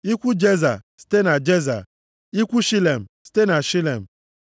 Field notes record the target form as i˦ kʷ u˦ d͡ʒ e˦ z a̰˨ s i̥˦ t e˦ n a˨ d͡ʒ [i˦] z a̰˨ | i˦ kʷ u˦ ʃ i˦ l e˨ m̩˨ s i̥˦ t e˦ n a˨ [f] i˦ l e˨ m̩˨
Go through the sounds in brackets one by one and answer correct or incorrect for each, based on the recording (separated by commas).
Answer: incorrect, incorrect